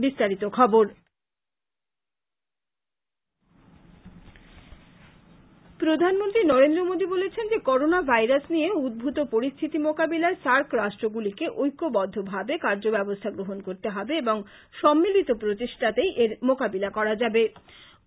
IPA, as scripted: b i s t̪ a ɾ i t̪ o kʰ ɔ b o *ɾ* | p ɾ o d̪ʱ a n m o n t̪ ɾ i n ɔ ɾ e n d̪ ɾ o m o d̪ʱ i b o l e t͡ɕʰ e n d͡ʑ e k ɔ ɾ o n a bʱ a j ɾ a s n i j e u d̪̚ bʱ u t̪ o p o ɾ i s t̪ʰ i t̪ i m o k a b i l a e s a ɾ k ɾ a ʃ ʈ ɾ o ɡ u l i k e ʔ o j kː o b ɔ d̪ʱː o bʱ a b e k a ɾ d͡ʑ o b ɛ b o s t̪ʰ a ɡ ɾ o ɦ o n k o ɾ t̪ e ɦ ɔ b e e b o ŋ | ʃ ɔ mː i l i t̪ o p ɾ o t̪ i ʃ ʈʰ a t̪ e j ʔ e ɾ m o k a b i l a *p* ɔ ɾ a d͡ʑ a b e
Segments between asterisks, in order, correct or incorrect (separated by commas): correct, incorrect